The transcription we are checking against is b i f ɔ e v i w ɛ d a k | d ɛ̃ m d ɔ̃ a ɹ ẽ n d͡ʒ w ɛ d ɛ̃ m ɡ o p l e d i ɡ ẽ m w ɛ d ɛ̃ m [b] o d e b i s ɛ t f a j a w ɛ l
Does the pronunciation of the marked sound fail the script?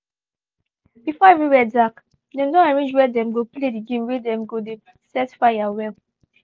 yes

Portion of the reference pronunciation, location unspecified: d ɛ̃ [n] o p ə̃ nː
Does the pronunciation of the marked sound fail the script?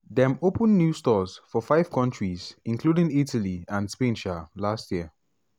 yes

